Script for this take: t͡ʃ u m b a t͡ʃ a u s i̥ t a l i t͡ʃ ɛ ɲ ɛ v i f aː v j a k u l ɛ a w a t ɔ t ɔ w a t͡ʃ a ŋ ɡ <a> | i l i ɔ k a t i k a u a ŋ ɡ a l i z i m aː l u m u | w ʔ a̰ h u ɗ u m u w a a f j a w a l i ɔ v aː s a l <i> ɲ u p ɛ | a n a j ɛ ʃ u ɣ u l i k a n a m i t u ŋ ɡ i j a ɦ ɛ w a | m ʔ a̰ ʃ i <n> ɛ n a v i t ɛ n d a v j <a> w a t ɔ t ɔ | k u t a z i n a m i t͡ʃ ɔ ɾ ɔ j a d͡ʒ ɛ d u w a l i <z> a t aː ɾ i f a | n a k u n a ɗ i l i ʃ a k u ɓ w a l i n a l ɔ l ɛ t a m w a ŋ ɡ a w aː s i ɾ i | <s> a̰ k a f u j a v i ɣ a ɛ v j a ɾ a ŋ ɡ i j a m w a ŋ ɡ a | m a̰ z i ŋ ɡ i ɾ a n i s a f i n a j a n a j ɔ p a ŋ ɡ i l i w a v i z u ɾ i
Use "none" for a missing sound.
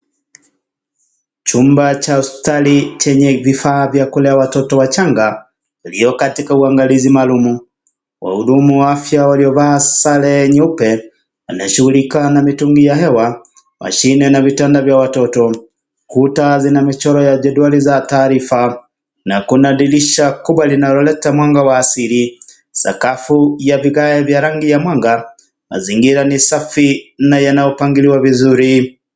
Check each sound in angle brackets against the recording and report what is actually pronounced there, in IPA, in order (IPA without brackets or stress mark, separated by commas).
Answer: a, ɛ, n, a, z, s